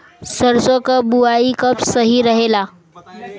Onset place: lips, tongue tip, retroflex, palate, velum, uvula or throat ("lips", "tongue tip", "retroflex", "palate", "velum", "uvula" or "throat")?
tongue tip